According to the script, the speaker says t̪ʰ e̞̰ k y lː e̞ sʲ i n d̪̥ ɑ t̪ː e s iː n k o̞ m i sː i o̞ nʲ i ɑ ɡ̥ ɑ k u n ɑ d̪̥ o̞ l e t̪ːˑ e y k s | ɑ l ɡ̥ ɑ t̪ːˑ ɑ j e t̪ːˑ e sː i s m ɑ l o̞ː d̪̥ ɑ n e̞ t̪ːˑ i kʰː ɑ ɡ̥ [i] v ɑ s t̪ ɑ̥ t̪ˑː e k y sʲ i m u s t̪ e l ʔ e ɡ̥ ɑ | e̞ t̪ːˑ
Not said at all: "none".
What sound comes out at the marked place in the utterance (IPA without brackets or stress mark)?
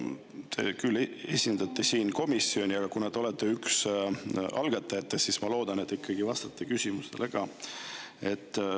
i